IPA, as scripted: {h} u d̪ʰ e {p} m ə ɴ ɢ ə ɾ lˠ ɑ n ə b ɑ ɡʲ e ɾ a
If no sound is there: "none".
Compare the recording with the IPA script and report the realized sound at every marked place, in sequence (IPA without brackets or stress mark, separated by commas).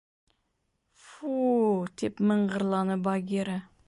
f, p